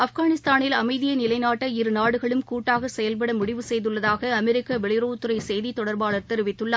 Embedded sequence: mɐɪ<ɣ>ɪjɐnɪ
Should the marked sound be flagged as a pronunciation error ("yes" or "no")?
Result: yes